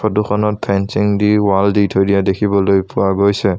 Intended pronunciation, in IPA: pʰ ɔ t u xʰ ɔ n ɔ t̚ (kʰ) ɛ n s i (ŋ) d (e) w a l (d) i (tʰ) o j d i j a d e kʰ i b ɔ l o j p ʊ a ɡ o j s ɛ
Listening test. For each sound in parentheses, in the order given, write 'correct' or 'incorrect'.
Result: incorrect: pʰ, correct, incorrect: i, correct, correct

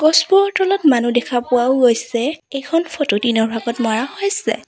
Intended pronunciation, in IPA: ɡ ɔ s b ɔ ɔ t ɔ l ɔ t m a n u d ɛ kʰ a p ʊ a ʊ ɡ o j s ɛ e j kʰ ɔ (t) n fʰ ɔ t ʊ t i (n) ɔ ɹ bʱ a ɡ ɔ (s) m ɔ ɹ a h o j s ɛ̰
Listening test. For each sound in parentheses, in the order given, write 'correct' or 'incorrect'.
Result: incorrect: none, correct, incorrect: t

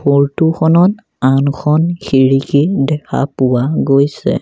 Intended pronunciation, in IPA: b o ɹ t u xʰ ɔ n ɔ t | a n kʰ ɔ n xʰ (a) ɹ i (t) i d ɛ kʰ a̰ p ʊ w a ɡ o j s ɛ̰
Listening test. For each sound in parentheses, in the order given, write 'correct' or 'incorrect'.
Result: incorrect: i, incorrect: k

